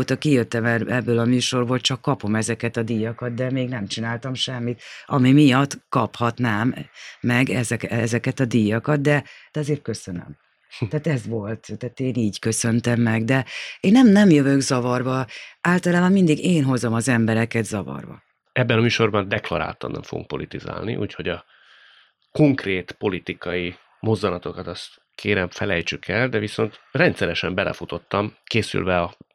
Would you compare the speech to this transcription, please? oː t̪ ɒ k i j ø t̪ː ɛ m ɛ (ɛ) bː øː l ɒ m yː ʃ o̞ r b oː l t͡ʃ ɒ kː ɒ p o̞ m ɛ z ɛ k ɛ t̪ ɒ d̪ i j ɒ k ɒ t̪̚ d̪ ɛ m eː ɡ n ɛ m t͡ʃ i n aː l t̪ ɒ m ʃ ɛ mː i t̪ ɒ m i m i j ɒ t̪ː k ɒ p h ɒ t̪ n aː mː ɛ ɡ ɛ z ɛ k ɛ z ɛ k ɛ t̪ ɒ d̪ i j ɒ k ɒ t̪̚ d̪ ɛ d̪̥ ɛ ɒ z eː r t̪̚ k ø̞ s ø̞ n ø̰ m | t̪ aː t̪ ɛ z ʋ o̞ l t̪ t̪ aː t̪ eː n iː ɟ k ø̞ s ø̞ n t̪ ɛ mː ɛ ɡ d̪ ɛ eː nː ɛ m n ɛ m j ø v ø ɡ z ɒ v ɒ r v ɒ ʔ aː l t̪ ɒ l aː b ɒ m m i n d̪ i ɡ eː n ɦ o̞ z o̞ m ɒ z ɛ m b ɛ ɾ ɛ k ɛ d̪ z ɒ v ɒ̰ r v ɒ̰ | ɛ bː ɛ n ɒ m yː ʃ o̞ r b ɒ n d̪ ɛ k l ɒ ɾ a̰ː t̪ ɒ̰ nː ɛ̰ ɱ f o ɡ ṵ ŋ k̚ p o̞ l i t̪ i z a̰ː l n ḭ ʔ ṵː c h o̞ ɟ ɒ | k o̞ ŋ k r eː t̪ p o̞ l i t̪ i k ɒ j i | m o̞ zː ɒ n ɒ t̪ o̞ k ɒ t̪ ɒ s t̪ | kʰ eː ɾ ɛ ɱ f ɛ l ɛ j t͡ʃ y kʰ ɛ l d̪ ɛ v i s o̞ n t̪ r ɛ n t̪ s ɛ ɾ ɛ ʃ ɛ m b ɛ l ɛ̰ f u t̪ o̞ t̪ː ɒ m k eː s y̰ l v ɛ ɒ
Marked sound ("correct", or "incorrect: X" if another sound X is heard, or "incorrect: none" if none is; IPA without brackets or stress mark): correct